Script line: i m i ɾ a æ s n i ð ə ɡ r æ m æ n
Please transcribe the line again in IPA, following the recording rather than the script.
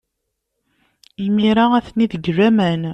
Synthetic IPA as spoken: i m i ɾ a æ θ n i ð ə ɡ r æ m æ n